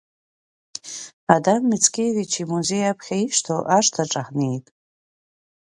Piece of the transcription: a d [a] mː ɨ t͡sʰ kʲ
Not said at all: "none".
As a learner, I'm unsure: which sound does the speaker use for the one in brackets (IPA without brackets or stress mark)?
a